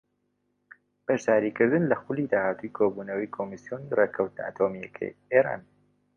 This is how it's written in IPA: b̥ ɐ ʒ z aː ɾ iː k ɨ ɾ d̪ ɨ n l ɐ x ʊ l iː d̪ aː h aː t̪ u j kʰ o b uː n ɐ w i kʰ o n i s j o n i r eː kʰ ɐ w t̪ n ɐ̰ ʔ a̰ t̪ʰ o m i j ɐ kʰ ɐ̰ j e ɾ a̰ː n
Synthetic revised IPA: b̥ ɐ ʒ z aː ɾ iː k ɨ ɾ d̪ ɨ n l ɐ x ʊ l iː d̪ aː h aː t̪ u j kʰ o b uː n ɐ w i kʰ o m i s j o n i r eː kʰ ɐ w t̪ n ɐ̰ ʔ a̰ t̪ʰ o m i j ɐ kʰ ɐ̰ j e ɾ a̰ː n

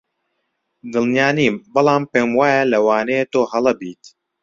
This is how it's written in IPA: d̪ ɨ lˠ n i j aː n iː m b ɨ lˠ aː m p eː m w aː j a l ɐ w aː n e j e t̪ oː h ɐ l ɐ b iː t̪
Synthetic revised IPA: d̪ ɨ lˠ n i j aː n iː m b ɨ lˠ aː m p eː m w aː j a l ɐ w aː n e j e t̪ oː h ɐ l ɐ b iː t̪

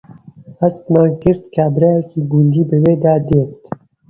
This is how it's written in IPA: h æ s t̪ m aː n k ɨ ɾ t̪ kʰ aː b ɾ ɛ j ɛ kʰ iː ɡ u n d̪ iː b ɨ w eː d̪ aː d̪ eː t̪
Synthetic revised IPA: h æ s t̪ m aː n k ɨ ɾ t̪ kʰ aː b ɾ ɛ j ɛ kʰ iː ɡ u n d̪ iː b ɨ w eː d̪ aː d̪ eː t̪

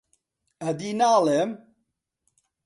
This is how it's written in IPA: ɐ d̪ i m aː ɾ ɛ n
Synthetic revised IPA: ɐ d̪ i n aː l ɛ m

